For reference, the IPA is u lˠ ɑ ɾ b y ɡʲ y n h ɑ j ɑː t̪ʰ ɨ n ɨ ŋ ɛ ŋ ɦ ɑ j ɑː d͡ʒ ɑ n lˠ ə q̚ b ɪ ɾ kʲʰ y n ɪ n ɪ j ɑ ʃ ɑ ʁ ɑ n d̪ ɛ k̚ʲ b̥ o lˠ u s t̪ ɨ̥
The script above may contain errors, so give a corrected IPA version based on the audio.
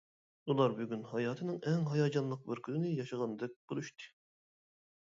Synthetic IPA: u lˠ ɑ ɾ b y ɡʲ y n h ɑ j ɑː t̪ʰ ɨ n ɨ ŋ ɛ ŋ ɦ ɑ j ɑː d͡ʒ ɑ n lˠ ə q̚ b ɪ ɾ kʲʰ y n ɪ n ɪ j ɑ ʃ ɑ ʁ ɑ n d̪ ɛ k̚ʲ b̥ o lˠ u ʃ t̪ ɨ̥